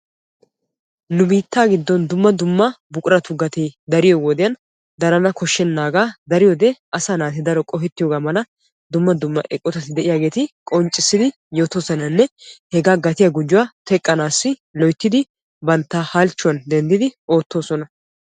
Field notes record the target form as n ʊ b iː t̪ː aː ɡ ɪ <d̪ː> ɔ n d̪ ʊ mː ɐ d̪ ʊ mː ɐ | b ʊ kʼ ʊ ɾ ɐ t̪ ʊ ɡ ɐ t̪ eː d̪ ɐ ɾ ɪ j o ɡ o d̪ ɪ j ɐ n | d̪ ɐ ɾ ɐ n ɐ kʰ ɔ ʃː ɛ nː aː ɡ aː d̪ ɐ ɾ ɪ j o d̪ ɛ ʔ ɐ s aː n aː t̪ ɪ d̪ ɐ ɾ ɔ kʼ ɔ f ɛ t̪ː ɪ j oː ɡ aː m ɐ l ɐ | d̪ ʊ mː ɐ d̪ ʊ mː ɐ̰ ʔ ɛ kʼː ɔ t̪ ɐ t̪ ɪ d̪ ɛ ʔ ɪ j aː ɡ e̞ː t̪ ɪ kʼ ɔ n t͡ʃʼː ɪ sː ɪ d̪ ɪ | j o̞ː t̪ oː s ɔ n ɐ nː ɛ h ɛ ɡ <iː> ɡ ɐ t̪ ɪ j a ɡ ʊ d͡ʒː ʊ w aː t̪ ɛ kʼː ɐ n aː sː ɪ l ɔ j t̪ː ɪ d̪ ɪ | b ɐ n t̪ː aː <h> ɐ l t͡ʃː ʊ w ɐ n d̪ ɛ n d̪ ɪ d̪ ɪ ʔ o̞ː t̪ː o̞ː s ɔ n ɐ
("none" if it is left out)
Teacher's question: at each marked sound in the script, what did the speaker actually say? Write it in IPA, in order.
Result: d̪ː, aː, h

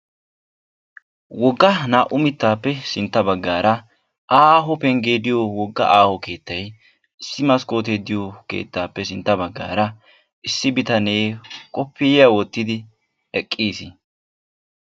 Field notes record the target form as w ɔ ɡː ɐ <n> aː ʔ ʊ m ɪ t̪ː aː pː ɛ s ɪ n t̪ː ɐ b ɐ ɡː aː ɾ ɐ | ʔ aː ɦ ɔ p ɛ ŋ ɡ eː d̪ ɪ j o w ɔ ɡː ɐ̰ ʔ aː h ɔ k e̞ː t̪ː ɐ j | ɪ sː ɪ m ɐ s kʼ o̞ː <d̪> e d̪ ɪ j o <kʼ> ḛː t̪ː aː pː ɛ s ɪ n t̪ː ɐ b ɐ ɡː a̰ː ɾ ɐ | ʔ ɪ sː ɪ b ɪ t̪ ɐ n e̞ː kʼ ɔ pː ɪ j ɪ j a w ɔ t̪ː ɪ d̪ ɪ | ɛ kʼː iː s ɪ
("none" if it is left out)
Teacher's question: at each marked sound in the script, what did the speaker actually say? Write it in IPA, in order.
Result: n, t̪, k

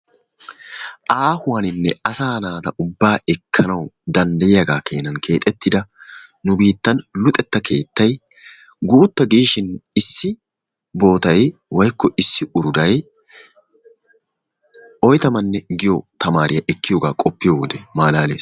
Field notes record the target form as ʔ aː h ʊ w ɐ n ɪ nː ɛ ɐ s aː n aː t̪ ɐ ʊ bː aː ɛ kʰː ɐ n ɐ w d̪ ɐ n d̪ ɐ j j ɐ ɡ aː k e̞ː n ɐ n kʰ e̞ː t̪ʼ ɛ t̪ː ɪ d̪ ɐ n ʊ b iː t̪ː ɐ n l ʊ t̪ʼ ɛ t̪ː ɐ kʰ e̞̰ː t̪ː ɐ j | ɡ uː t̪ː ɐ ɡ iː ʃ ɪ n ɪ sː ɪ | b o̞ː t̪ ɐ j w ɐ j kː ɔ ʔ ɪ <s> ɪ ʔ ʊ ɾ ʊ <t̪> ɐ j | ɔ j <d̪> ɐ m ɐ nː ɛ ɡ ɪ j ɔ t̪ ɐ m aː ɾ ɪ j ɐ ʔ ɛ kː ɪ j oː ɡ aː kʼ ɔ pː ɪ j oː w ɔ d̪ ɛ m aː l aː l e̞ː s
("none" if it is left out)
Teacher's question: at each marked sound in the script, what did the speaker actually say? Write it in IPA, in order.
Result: sː, d̪, t̪

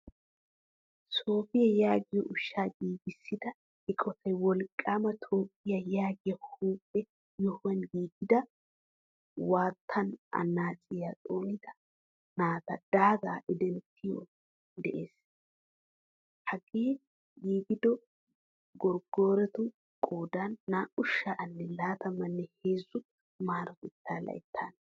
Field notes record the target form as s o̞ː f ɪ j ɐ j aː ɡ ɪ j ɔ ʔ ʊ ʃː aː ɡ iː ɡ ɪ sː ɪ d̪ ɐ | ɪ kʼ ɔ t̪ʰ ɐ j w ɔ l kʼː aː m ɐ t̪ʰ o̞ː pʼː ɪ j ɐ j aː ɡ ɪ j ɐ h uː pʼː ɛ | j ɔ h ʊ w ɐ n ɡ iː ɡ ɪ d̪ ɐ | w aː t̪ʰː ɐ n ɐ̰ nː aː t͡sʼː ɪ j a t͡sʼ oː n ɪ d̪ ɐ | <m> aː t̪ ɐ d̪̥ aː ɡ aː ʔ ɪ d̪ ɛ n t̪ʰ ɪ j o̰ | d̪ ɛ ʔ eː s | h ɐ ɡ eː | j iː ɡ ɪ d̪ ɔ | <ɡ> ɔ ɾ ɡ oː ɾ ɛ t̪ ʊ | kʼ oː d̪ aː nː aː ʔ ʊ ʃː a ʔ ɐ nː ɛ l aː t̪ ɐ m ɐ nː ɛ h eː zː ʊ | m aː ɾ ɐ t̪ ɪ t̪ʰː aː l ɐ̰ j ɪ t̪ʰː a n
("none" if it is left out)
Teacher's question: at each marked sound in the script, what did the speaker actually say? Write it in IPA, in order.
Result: n, ɡ

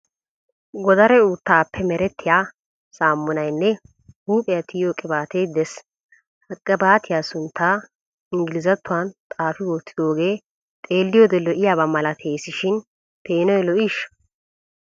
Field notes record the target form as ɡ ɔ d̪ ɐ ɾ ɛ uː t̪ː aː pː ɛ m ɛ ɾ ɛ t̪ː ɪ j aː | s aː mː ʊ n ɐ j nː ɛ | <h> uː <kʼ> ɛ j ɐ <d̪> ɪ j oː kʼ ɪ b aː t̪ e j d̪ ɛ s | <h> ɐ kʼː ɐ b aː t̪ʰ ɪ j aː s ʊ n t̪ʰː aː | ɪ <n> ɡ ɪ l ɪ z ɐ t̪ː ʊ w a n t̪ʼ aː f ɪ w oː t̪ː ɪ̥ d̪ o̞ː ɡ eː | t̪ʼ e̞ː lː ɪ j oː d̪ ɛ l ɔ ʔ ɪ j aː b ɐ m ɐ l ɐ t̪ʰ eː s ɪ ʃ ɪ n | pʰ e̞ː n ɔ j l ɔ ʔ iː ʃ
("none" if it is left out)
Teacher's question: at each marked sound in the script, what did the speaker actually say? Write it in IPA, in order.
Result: h, pʼ, t̪, h, ŋ

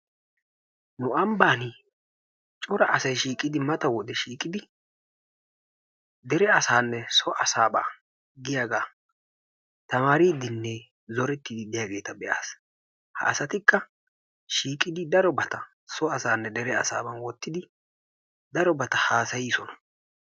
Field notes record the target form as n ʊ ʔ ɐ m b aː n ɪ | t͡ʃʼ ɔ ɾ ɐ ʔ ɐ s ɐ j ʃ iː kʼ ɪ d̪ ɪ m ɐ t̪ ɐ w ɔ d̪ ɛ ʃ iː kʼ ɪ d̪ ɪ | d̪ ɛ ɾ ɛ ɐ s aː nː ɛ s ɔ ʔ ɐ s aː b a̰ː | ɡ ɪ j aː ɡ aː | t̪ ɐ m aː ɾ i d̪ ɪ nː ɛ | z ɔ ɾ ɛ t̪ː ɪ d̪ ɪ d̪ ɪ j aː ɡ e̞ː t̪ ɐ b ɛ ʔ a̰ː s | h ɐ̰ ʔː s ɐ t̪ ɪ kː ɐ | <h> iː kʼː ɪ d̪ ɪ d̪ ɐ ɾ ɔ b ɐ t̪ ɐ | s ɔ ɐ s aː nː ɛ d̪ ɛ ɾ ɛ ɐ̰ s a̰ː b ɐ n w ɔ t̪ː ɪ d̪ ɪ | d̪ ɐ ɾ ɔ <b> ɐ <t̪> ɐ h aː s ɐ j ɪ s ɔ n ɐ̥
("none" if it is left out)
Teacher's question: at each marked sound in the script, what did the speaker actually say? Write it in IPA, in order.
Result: ʃ, b, t̪

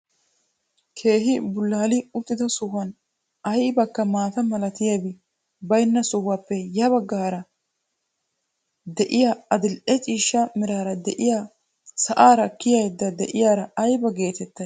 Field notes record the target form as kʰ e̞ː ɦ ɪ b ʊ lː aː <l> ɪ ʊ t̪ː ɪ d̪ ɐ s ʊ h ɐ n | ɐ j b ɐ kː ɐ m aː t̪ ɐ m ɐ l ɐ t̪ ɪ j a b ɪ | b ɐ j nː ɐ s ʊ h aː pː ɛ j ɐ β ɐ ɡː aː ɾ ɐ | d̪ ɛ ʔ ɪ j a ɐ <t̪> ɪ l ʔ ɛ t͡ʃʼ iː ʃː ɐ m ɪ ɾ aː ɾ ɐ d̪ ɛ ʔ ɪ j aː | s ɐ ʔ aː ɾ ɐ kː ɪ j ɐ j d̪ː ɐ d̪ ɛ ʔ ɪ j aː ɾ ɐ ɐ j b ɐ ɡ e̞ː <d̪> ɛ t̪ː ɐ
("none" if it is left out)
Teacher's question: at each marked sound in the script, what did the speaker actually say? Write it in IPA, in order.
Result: l, d̪, t̪

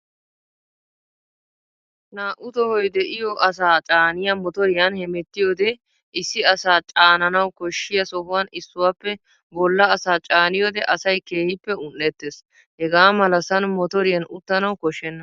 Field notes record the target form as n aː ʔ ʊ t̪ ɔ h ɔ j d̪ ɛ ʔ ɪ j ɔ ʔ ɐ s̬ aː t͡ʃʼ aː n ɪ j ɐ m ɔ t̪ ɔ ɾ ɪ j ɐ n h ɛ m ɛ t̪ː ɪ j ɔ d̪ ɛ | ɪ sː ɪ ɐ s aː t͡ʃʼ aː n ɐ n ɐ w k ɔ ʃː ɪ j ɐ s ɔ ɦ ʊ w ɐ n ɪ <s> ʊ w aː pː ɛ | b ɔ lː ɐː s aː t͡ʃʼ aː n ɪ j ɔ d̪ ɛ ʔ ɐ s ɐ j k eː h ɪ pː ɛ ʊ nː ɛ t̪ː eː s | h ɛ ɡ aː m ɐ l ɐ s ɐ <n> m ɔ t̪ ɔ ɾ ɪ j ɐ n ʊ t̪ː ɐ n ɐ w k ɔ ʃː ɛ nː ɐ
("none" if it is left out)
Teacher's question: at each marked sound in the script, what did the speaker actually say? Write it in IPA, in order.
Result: sː, n

